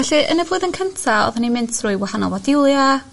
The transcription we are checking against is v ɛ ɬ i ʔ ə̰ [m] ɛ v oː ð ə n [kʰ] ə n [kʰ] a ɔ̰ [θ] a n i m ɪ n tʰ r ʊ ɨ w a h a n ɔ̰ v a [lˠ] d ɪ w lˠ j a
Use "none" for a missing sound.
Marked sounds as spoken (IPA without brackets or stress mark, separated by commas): n, kʰ, tʰ, ð, none